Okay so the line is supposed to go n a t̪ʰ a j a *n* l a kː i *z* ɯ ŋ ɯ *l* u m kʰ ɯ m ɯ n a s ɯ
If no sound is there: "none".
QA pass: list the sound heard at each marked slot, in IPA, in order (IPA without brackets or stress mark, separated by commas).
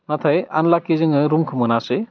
n, z, ɾ